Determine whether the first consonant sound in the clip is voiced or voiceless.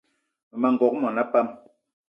voiced